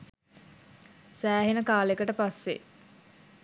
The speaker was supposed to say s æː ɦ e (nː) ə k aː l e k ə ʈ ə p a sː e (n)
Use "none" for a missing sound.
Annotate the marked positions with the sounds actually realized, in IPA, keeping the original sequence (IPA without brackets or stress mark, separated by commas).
n, none